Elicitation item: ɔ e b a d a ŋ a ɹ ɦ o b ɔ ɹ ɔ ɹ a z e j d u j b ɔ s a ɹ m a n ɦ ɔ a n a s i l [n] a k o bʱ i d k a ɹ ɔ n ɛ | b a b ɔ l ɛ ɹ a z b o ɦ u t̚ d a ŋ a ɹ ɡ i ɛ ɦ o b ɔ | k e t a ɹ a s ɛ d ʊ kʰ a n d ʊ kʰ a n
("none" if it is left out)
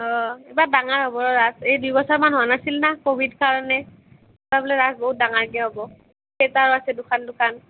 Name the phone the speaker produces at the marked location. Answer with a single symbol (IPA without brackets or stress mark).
n